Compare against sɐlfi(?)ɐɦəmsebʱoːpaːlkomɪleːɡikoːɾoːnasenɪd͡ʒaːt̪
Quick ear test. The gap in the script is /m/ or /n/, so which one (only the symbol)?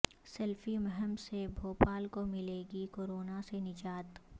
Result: m